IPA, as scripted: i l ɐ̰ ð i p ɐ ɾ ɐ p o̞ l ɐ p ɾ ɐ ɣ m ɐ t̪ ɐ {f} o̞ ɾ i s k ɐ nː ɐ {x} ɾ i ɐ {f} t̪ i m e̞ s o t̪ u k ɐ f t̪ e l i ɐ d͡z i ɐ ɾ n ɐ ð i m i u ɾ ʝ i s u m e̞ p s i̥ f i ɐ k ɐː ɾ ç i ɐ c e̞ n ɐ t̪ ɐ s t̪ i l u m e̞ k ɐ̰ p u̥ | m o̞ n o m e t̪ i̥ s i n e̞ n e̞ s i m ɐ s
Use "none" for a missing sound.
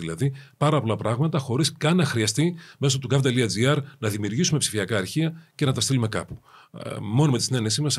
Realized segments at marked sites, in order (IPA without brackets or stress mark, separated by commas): x, x, s